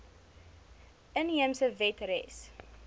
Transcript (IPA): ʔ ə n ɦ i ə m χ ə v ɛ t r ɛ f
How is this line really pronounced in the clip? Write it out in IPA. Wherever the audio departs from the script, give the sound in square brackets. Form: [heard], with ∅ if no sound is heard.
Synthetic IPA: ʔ ə n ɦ i ə m [s] ə v ɛ t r ɛ [s]

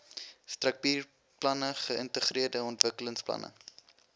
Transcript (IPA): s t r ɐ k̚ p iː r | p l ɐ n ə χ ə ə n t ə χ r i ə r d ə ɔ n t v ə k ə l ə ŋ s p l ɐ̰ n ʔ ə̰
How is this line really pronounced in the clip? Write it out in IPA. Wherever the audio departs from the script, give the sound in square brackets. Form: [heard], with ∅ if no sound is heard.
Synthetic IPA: s t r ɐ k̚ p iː r | p l ɐ n ə χ ə ə n t ə χ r i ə r d ə ɔ n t v ə k ə l ə ŋ s p l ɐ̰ n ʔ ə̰

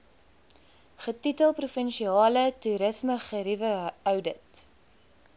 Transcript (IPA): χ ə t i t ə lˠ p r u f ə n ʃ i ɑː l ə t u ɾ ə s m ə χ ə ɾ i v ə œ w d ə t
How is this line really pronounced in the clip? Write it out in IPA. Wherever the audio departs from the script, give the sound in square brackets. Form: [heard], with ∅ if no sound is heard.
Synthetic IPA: χ ə t i t ə lˠ p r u f ə n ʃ i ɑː l ə t u ɾ ə s m ə χ ə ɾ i v ə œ w d ə t

